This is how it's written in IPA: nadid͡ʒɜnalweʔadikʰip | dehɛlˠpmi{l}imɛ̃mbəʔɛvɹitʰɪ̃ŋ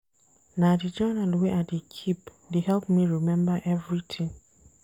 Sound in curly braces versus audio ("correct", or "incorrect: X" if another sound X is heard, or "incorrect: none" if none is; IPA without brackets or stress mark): incorrect: ɹ